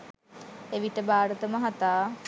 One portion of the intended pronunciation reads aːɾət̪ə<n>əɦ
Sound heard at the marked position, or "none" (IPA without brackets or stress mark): m